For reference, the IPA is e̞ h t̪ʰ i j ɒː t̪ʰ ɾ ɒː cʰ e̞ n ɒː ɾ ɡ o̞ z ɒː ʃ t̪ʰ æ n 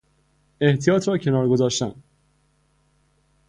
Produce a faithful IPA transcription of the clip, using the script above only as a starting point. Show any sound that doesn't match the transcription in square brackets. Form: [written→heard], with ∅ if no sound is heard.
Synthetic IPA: e̞ h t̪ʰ i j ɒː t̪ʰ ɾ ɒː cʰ e̞ n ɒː ɾ ɡ o̞ z ɒː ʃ [t̪ʰ→t̪] æ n